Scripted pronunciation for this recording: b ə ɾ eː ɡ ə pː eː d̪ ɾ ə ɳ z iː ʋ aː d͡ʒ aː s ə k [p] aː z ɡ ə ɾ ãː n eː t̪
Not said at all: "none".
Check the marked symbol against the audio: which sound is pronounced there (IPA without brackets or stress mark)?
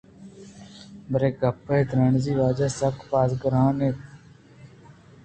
p